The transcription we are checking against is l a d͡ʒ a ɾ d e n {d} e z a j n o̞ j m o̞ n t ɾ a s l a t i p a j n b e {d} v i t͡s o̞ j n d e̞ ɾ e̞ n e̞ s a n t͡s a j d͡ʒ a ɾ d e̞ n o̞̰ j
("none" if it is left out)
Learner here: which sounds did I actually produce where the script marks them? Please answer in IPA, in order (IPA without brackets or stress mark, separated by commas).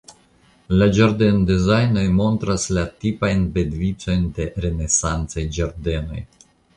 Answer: d, d